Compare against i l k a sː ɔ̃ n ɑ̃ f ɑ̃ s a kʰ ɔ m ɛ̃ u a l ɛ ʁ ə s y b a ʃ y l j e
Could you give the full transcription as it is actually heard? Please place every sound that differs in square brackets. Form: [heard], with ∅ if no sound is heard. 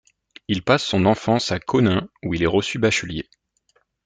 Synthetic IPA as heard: i l [p] a sː ɔ̃ n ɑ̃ f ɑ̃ s a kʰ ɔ [n] ɛ̃ u [i] l ɛ ʁ ə s y b a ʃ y l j e